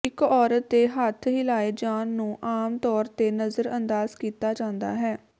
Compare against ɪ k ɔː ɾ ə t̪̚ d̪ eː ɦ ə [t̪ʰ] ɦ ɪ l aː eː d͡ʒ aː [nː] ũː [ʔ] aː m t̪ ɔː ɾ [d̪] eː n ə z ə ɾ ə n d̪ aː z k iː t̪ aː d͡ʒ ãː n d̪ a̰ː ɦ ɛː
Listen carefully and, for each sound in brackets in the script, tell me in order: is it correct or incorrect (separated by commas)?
correct, correct, correct, incorrect